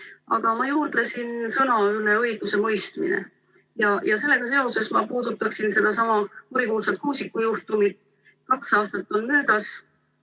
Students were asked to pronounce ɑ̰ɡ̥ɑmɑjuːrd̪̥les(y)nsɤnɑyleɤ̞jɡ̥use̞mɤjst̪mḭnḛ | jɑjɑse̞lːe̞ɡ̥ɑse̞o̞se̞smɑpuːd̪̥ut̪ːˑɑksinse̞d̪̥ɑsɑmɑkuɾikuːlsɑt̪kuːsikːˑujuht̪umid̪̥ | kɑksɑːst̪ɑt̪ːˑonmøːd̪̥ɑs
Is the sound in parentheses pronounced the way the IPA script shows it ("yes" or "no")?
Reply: no